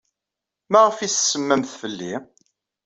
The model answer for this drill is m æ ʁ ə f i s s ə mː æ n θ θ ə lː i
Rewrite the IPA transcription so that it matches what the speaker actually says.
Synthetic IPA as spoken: m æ ʁ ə f i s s ə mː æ m θ f ə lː i